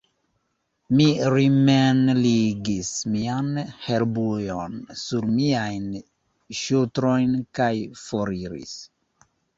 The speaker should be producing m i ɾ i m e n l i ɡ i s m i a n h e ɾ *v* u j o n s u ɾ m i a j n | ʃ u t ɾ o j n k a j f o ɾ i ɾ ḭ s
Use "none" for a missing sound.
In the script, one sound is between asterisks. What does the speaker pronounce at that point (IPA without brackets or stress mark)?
b